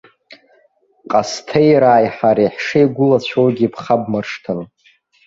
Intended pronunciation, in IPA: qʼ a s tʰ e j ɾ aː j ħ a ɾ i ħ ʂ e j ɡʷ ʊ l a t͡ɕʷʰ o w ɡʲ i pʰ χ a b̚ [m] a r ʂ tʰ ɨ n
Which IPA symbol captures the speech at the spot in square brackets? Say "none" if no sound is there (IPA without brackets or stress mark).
m